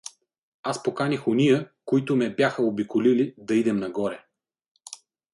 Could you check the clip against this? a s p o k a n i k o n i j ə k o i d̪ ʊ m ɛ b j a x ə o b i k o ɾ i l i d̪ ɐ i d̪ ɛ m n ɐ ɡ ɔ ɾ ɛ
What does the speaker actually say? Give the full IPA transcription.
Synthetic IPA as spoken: a s p o k a n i x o n i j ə k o i t̪ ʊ m ɛ b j a x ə o b i k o l i l i d̪ ɐ i d̪ ɛ m n ɐ ɡ ɔ ɾ ɛ